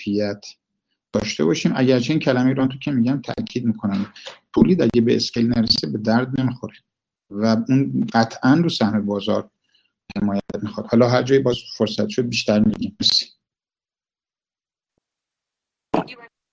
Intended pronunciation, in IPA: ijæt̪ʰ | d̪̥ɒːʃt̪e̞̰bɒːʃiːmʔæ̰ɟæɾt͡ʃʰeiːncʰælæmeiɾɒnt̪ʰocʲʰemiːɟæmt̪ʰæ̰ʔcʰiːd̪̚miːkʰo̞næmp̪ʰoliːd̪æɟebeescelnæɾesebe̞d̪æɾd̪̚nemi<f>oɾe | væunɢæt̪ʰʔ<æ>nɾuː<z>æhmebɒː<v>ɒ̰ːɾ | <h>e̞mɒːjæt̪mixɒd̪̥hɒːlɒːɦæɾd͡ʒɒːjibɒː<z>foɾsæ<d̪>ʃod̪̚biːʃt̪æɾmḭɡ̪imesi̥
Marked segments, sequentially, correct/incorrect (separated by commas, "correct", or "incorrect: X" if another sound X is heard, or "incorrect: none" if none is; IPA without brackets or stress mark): incorrect: x, correct, incorrect: s, incorrect: z, correct, correct, incorrect: t̪